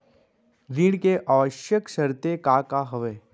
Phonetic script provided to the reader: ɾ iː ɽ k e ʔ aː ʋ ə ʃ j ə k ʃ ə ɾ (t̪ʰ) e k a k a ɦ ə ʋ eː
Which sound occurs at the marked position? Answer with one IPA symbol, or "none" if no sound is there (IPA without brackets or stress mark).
t̪